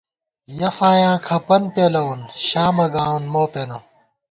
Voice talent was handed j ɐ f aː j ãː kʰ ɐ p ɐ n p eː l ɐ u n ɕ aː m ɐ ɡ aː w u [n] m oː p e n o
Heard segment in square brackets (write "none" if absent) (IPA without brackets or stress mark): n